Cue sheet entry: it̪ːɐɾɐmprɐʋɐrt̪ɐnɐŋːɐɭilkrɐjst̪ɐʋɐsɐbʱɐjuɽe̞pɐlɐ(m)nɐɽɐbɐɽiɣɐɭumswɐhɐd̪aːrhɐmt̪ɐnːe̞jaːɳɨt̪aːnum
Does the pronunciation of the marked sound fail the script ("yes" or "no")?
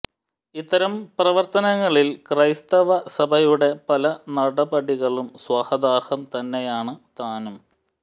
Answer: yes